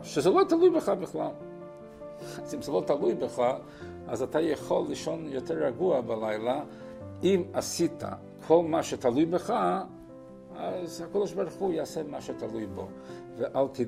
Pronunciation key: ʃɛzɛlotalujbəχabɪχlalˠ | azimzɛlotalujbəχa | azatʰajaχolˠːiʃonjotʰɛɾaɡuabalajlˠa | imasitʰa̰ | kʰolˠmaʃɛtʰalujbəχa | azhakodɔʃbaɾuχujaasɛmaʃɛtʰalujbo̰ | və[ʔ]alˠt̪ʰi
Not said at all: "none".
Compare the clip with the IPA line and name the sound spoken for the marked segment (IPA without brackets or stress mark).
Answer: ʔ